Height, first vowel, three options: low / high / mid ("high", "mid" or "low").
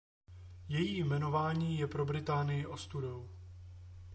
mid